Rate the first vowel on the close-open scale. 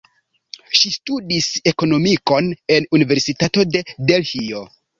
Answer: close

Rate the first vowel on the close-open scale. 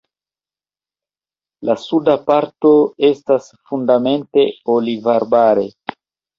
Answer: open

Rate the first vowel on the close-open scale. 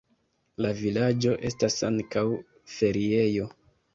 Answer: open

